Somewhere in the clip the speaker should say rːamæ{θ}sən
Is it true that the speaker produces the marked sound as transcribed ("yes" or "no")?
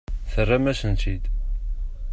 no